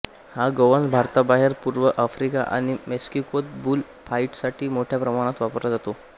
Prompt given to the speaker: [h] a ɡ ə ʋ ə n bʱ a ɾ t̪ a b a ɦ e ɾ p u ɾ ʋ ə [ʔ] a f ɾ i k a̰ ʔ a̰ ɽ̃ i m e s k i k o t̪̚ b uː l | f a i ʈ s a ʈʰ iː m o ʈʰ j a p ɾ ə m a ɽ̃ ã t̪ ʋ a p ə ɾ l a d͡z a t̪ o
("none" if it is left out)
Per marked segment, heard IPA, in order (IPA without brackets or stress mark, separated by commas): h, ʔ